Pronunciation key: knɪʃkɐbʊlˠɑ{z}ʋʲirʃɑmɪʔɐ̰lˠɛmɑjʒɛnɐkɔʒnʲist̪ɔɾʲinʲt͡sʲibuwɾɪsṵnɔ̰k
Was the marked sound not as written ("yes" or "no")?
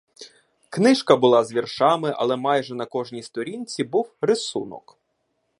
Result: no